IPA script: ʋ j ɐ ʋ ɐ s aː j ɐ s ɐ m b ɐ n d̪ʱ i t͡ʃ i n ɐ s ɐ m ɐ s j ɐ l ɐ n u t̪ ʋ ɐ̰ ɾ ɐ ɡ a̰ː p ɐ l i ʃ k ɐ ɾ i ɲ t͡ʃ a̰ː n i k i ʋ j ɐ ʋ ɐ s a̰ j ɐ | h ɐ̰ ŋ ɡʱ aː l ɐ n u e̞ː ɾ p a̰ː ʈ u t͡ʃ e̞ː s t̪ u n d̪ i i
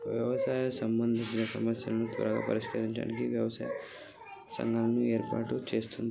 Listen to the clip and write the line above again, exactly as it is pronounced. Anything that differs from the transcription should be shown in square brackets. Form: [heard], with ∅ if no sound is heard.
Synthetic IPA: ʋ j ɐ ʋ ɐ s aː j ɐ s ɐ m b ɐ n d̪ʱ i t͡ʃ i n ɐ s ɐ m ɐ s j ɐ l ɐ n u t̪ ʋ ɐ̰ ɾ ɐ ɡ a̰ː p ɐ [ɾ] i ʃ k ɐ ɾ i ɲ t͡ʃ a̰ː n i k i ʋ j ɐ ʋ ɐ s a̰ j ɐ | [s] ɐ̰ ŋ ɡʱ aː l ɐ n u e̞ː ɾ p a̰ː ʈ u t͡ʃ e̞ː s t̪ u n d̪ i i